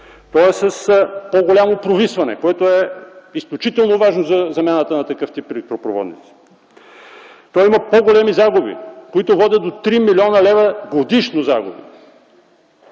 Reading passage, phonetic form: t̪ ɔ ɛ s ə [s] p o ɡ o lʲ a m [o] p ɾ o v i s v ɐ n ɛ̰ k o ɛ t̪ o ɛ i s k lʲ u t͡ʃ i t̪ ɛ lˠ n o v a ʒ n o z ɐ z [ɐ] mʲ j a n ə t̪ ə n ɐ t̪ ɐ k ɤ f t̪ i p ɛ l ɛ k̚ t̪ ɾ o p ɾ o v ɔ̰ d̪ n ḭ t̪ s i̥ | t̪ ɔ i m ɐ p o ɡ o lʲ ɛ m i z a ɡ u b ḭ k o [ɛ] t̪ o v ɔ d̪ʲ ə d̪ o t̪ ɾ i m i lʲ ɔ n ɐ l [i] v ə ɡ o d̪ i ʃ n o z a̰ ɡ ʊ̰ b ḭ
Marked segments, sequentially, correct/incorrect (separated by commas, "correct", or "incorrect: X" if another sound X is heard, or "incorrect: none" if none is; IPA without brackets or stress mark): correct, correct, correct, incorrect: i, incorrect: ɛ